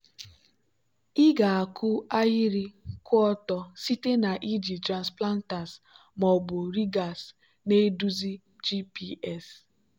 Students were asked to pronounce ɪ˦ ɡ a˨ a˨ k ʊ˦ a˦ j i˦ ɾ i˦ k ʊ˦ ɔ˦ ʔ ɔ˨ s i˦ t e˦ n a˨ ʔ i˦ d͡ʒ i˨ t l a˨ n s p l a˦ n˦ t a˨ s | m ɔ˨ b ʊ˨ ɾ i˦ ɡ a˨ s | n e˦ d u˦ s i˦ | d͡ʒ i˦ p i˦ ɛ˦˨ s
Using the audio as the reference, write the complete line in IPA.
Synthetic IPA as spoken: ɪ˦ ɡ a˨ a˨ k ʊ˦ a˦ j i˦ ɾ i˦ k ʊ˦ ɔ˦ t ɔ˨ s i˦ t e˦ n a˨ ʔ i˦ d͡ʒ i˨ t ɾ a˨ n s p l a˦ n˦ t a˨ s | m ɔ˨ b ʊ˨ ɾ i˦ ɡ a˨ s | n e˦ d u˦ z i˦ | d͡ʒ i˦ p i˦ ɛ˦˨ s